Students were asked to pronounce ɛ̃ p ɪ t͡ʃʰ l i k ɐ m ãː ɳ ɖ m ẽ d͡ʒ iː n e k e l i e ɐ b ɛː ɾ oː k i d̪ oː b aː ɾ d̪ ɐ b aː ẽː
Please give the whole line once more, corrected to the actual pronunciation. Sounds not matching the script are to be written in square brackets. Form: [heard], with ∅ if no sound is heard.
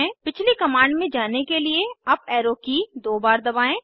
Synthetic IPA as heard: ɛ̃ p ɪ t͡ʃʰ l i k ɐ m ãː ɳ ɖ m ẽ d͡ʒ [aː] n e k e l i e ɐ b ɛː ɾ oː k i d̪ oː b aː ɾ d̪ ɐ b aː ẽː